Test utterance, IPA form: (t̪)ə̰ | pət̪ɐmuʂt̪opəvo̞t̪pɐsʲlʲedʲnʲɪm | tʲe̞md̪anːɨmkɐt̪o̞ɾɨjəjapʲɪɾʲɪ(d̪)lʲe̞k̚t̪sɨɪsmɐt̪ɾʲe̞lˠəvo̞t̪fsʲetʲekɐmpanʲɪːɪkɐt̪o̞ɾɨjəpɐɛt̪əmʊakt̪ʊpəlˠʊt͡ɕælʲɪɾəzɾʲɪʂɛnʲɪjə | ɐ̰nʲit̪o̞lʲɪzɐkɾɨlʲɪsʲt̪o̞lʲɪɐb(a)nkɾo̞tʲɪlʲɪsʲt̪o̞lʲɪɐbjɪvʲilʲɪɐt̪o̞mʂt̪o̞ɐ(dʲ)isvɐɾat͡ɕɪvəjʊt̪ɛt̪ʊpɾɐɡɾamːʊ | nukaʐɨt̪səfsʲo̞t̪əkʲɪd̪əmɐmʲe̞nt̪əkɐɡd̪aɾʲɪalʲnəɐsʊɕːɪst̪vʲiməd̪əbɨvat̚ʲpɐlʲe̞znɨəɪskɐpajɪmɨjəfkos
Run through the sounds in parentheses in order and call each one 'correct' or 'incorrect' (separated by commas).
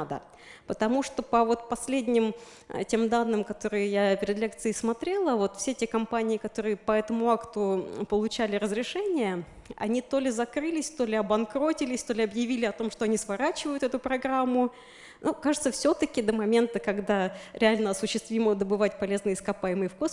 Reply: incorrect, correct, incorrect, incorrect